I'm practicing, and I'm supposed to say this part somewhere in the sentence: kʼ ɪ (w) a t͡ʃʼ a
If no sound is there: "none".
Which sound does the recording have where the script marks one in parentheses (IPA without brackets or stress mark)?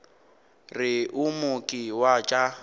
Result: w